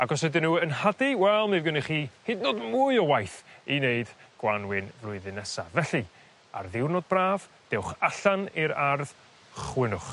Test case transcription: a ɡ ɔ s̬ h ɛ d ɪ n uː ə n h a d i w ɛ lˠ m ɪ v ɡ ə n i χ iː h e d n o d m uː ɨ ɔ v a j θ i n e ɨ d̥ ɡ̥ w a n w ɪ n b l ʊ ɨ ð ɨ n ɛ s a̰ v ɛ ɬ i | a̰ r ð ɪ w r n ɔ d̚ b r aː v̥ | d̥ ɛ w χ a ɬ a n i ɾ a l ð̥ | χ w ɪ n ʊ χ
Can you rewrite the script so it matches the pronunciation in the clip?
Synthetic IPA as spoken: a ɡ ɔ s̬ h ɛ d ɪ n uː ə n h a d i w ɛ lˠ m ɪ v ɡ ə n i χ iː h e d n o d m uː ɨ ɔ w a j θ i n e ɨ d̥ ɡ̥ w a n w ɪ n v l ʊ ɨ ð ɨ n ɛ s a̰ v ɛ ɬ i | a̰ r ð ɪ w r n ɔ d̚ b r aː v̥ | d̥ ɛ w χ a ɬ a n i ɾ a r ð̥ | χ w ɪ n ʊ χ